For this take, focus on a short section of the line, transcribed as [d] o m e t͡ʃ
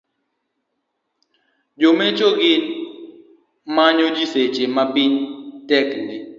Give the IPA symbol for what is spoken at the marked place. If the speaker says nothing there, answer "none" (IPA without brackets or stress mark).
d͡ʒ